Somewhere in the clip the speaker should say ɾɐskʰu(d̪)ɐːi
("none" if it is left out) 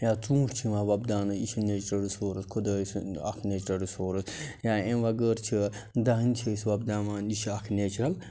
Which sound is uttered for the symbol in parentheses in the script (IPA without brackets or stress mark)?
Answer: d̪